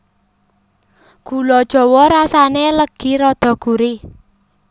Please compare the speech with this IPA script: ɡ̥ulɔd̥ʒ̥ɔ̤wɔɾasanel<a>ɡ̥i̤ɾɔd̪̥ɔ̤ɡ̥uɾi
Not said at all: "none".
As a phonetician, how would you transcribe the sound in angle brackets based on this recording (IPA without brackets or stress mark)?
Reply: ə